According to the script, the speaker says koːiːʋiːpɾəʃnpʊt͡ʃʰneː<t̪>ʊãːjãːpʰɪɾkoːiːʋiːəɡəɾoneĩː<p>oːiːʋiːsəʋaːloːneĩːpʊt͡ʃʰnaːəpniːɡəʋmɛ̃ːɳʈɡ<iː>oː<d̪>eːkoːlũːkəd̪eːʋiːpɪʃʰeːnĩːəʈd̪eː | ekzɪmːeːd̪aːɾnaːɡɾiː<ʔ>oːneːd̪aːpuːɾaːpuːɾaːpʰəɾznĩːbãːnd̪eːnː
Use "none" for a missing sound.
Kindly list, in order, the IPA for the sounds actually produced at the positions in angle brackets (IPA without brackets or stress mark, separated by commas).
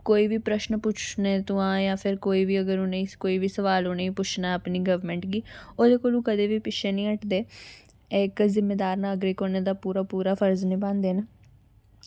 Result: t̪, k, iː, d̪, k